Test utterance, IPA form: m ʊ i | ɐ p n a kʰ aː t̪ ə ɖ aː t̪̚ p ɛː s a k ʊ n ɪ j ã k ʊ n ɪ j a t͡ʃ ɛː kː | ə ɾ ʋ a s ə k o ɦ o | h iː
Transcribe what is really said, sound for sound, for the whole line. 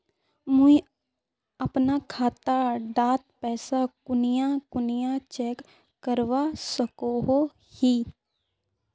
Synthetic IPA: m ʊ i | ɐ p n a kʰ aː t̪ a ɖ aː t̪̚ p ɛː s a k ʊ n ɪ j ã k ʊ n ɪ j a t͡ʃ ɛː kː | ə ɾ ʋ a s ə k o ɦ o | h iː

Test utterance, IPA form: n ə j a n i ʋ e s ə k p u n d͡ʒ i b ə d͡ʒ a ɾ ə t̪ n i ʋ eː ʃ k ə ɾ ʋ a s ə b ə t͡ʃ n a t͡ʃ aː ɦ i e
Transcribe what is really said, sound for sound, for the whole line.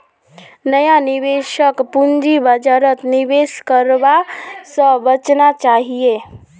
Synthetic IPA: n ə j a n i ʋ e ʃ ə k p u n d͡ʒ i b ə d͡ʒ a ɾ ə t̪ n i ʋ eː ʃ k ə ɾ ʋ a s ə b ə t͡ʃ n a t͡ʃ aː ɦ i e

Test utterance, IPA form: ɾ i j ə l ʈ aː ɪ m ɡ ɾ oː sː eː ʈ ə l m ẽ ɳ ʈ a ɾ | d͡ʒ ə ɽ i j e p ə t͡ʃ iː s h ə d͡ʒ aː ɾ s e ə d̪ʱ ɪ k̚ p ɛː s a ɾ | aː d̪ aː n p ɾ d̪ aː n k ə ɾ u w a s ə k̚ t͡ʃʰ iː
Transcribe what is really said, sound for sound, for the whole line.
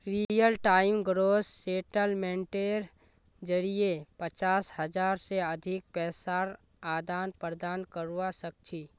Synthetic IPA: ɾ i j ə l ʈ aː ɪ m ɡ ɾ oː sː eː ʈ ə l m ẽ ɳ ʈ e ɾ | d͡ʒ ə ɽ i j e p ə t͡ʃ aː s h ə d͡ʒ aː ɾ s e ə d̪ʱ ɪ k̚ p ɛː s a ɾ | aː d̪ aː n p ɾ d̪ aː n k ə ɾ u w a s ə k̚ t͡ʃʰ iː

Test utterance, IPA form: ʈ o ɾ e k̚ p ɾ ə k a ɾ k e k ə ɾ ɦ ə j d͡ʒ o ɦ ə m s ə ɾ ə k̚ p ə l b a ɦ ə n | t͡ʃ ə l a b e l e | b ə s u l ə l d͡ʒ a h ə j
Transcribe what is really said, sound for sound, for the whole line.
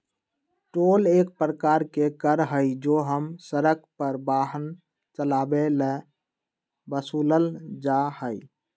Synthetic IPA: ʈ o l e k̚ p ɾ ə k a ɾ k e k ə ɾ ɦ ə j d͡ʒ o ɦ ə m s ə ɾ ə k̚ p ə ɾ b a ɦ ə n | t͡ʃ ə l a b e l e | b ə s u l ə l d͡ʒ a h ə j

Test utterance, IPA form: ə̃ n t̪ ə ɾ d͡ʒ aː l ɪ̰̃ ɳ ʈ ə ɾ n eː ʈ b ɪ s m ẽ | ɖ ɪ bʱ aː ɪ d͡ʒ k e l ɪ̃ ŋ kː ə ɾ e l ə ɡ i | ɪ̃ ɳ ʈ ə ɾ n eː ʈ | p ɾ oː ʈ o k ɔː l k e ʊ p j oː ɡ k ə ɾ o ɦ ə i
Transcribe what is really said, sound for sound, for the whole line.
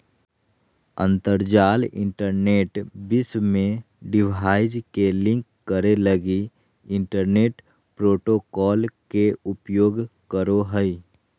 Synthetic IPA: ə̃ n t̪ ə ɾ d͡ʒ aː l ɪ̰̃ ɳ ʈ ə ɾ n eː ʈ b ɪ s m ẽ | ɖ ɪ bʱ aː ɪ d͡ʒ k e l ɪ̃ ŋ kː ə ɾ e l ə ɡ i | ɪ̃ ɳ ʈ ə ɾ n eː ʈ | p ɾ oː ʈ o k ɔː l k e ʊ p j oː ɡ k ə ɾ o ɦ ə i

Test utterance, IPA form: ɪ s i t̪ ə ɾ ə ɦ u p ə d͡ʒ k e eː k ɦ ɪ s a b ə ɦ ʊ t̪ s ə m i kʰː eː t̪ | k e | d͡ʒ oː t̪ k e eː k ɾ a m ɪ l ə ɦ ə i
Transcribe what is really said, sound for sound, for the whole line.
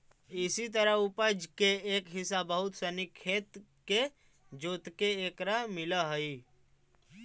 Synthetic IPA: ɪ s i t̪ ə ɾ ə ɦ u p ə d͡ʒ k e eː k ɦ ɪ s a b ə ɦ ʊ t̪ s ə n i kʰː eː t̪ | k e | d͡ʒ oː t̪ k e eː k ɾ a m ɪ l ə ɦ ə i

